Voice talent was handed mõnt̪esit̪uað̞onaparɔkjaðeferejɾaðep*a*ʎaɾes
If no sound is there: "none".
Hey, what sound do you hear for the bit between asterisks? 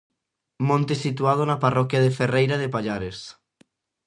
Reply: a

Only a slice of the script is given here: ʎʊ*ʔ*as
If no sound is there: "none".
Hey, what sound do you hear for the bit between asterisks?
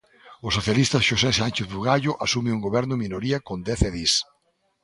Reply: ʔ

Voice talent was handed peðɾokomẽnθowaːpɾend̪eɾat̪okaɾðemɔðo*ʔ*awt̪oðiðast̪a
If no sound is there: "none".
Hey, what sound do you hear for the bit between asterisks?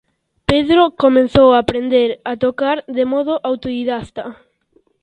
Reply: ʔ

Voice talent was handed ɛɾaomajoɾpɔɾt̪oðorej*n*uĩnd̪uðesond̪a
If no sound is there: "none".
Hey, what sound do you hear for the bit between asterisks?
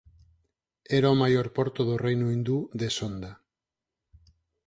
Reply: n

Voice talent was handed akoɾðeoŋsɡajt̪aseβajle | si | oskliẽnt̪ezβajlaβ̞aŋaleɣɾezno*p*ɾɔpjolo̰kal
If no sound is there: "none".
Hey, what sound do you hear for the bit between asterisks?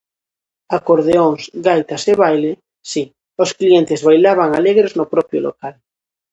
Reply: p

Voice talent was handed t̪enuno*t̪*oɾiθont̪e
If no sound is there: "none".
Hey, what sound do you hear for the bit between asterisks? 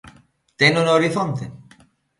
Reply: none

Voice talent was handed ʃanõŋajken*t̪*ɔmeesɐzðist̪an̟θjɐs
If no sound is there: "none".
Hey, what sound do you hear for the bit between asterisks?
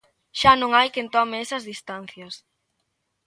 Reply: t̪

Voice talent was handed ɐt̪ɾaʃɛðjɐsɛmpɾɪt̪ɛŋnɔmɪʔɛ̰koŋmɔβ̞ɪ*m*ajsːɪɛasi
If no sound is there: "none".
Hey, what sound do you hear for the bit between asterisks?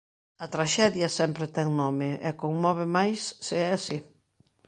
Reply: m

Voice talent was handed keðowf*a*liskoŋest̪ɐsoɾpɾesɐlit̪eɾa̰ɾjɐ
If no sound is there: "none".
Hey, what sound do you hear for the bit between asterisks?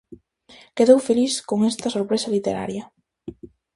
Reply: e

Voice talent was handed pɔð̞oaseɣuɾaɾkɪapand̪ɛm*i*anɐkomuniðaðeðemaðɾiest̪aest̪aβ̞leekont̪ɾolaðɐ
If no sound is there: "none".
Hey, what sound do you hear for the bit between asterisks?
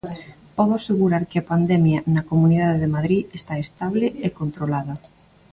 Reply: j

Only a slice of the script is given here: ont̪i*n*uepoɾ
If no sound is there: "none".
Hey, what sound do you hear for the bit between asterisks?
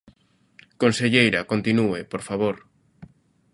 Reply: n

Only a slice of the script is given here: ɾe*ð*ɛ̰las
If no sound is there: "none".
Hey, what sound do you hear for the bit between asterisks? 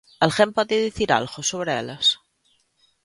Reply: none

